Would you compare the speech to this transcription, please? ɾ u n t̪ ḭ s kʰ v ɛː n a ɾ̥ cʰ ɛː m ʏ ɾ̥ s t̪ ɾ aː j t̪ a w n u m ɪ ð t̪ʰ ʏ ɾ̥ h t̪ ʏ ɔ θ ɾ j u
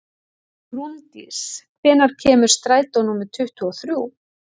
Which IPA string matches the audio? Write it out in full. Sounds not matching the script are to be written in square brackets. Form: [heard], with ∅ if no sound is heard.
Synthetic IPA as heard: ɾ u n t̪ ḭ s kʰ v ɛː n a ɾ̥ cʰ ɛː m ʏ ɾ̥ s t̪ ɾ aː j t̪ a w n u m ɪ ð t̪ʰ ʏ [∅] h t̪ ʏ ɔ θ ɾ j u